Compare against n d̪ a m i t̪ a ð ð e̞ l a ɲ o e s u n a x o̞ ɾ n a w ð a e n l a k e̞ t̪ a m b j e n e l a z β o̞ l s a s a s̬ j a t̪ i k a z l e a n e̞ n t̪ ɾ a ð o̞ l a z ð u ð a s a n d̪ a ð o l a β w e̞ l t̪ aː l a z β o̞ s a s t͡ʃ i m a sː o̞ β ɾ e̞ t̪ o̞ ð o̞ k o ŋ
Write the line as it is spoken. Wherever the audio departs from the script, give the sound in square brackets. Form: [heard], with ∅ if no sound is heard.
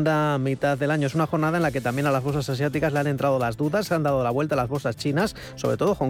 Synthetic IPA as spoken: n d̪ a m i t̪ a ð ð e̞ l a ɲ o e s u n a x o̞ ɾ n a [∅] ð a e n l a k e̞ t̪ a m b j e n [a] l a z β o̞ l s a s a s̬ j a t̪ i k a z l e a n e̞ n t̪ ɾ a ð o̞ l a z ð u ð a s a n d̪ a ð o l a β w e̞ l t̪ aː l a z β o̞ s a s t͡ʃ i [n] a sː o̞ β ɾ e̞ t̪ o̞ ð o̞ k o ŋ